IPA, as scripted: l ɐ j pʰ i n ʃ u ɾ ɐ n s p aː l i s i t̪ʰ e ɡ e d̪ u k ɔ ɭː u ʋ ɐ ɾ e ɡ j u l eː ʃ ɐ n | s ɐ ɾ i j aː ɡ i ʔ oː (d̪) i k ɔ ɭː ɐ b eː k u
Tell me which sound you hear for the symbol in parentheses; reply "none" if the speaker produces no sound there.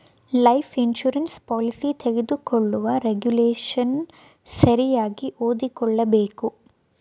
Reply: d̪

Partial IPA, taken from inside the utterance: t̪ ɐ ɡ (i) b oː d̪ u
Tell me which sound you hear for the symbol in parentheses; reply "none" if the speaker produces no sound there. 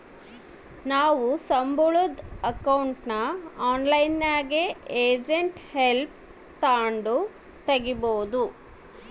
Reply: i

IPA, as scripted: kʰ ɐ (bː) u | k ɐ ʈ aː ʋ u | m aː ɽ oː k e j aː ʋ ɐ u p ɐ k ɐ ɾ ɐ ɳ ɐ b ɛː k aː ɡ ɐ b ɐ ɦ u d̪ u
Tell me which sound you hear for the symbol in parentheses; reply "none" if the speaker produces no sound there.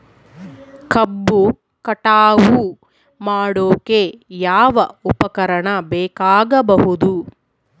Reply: bː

